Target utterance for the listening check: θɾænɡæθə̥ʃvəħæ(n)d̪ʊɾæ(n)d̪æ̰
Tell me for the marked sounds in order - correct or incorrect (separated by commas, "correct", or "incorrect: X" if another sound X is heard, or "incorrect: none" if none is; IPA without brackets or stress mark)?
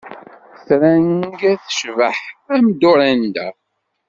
incorrect: m, correct